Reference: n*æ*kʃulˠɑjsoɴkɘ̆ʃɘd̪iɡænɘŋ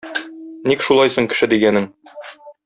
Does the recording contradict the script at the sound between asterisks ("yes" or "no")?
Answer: yes